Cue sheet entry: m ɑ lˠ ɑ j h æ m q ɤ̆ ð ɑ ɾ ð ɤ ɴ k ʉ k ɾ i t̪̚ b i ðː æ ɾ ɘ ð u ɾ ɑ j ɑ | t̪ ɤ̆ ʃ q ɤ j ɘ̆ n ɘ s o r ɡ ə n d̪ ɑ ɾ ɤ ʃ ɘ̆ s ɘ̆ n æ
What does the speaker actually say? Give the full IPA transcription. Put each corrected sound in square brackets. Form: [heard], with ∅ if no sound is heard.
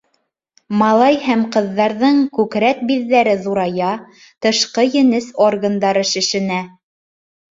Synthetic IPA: m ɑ lˠ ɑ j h æ m q ɤ̆ [ðː] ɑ ɾ ð ɤ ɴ k ʉ k ɾ [æ] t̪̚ b i ðː æ ɾ ɘ ð u ɾ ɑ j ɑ | t̪ ɤ̆ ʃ q ɤ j ɘ̆ n ɘ s o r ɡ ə n d̪ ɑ ɾ ɤ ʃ ɘ̆ [ʃ] ɘ̆ n æ